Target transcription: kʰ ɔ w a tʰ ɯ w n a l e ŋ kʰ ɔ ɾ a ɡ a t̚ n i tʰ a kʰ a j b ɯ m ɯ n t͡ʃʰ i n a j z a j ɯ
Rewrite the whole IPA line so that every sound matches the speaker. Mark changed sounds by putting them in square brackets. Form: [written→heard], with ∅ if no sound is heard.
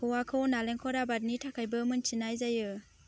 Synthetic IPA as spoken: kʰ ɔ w a [tʰ→kʰ] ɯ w n a l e ŋ kʰ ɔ ɾ a [ɡ→b] a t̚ n i tʰ a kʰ a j b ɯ m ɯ n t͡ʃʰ i n a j z a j ɯ